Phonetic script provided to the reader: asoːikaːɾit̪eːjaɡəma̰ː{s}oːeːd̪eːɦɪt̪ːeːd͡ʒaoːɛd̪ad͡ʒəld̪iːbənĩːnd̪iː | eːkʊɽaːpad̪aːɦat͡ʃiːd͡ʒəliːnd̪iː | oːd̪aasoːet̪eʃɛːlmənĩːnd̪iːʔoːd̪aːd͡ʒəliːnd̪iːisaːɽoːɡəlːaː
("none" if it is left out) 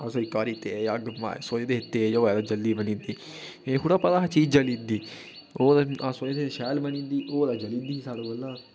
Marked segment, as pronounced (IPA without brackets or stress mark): s